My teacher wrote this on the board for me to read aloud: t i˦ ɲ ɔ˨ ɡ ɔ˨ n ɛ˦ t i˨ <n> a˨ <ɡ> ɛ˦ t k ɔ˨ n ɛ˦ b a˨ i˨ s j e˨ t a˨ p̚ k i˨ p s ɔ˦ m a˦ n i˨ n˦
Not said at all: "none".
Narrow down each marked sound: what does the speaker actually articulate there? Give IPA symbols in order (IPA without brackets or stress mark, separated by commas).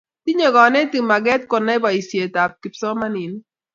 m, ɡ